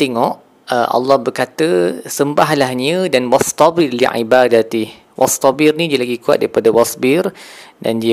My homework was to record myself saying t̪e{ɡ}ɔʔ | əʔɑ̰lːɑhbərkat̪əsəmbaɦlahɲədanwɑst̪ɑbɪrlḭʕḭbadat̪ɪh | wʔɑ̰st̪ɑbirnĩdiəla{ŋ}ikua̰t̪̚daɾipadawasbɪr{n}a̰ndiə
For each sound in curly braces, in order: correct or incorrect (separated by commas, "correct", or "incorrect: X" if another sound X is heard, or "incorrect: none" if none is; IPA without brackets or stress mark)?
incorrect: ŋ, incorrect: ɡ, incorrect: d